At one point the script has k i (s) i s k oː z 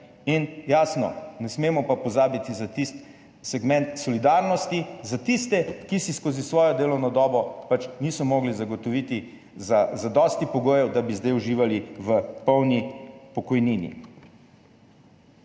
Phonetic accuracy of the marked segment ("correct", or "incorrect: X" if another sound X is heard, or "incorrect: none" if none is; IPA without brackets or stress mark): correct